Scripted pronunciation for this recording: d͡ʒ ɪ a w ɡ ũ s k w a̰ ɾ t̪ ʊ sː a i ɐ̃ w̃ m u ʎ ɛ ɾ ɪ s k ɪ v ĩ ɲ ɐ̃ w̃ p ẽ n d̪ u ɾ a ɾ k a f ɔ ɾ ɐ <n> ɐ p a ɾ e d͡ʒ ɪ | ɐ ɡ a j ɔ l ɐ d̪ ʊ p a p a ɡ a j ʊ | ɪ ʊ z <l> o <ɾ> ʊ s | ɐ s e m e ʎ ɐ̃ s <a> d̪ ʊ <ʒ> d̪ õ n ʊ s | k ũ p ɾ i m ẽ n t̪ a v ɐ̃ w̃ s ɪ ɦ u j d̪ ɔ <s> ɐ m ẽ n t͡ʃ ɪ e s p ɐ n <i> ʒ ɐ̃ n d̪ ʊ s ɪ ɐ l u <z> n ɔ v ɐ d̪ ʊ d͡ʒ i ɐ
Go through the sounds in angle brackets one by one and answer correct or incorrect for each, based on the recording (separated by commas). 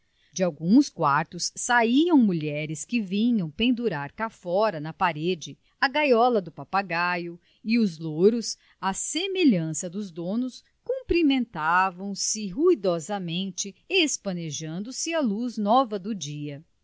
correct, correct, correct, incorrect, incorrect, incorrect, incorrect, correct